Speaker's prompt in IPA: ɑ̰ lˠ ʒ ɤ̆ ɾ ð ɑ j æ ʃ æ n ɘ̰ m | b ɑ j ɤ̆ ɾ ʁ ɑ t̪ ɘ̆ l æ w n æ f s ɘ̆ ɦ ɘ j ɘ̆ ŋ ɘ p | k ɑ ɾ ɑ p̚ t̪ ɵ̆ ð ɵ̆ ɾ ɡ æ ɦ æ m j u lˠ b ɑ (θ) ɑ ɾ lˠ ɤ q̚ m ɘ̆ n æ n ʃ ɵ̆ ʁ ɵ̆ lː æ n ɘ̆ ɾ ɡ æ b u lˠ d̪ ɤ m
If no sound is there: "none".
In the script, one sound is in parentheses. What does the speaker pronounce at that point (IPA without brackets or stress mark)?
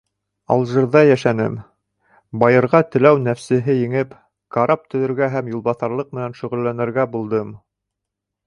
θ